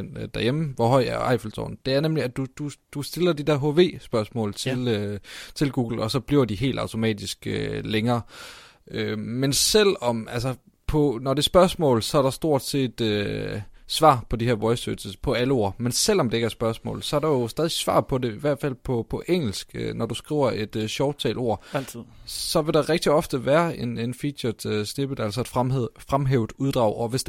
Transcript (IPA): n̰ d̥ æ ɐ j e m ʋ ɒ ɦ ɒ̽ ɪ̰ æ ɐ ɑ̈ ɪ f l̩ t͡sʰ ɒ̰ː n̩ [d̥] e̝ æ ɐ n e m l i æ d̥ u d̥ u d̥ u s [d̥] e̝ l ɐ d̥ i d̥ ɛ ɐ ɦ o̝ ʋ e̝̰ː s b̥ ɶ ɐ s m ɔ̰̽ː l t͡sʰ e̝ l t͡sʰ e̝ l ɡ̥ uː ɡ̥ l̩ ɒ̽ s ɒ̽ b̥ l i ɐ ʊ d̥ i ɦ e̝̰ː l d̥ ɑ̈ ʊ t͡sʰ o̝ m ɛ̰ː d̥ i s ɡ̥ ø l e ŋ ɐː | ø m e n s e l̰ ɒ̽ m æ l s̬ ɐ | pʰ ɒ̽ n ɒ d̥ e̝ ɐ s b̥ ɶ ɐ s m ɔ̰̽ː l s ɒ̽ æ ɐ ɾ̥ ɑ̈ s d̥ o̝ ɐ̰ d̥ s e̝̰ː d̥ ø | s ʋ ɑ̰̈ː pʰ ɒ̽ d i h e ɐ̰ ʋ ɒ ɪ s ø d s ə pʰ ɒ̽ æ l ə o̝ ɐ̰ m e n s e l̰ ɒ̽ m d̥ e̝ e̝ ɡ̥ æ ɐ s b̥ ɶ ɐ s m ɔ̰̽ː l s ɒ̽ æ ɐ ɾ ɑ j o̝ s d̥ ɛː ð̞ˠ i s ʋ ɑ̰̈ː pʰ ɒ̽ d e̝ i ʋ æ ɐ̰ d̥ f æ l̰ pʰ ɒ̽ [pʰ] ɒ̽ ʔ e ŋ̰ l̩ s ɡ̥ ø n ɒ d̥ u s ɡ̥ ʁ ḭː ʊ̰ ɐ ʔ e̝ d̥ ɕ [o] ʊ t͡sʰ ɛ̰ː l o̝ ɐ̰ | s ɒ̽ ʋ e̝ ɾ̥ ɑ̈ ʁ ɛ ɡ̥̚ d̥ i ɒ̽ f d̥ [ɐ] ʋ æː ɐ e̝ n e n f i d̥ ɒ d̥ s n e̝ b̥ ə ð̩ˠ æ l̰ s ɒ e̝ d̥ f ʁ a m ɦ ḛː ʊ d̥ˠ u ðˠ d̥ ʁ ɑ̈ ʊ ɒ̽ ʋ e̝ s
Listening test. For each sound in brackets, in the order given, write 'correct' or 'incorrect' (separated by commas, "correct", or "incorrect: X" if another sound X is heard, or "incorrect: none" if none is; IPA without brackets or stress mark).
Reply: correct, correct, correct, incorrect: ɒ, incorrect: ə